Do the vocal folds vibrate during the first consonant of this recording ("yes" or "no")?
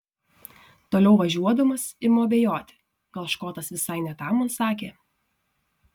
no